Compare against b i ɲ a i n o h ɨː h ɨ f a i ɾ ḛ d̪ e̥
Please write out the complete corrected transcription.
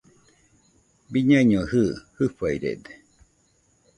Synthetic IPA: b i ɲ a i ɲ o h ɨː h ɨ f a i ɾ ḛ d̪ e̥